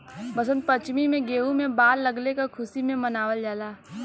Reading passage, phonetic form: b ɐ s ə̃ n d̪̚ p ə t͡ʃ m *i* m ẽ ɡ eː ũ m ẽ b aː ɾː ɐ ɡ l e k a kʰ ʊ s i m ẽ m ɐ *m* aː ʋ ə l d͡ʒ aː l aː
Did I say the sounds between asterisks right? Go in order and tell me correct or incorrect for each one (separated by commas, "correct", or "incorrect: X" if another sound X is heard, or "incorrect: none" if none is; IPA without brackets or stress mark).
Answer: correct, incorrect: n